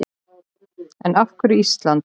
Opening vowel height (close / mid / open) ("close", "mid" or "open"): mid